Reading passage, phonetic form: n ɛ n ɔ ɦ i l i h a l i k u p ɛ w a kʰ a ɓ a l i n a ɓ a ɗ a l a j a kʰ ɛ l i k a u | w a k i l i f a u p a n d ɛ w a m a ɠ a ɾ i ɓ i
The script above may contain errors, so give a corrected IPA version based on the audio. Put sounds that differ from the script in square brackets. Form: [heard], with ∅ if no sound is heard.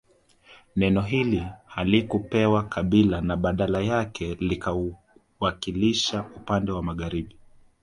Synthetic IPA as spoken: n ɛ n ɔ ɦ i l i h a l i k u p ɛ w a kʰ a ɓ [i] l [a] n a ɓ a ɗ a l a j a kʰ ɛ l i k a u | w a k i l i [ʃ] a u p a n d ɛ w a m a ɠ a ɾ i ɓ i